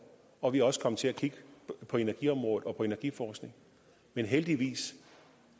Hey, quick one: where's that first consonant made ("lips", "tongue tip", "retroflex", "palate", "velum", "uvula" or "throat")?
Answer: lips